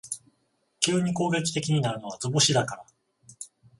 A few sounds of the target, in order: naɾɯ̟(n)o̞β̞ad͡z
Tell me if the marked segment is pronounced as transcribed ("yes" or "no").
yes